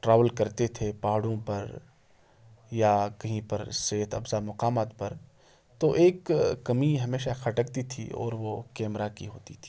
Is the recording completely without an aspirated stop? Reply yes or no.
no